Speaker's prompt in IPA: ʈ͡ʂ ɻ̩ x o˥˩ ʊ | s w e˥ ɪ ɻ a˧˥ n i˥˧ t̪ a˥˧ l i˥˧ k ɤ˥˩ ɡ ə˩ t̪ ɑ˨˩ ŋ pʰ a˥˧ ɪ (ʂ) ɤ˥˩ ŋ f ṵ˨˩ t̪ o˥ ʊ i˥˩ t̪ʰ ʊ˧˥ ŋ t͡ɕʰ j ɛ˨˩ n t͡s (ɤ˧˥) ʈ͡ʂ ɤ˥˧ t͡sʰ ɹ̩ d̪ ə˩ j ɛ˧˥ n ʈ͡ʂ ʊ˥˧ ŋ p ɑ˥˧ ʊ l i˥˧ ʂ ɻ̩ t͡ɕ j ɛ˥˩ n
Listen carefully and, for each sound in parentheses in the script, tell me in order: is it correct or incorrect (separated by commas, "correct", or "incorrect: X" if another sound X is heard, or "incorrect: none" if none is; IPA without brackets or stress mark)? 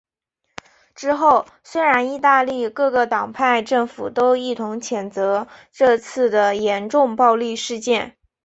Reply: incorrect: ʈ͡ʂ, correct